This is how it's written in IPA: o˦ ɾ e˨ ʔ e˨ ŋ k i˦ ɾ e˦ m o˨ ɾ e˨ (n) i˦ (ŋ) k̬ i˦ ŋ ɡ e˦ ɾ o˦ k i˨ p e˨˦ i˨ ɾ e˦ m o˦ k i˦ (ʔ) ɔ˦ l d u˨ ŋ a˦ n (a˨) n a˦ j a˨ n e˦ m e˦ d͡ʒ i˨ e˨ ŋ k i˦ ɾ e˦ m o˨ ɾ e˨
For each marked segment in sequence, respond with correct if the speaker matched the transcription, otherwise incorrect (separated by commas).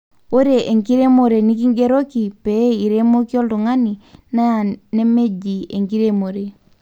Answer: correct, incorrect, incorrect, incorrect